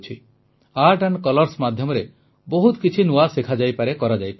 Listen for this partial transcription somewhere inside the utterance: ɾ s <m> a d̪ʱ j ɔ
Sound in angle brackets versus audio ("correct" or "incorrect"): correct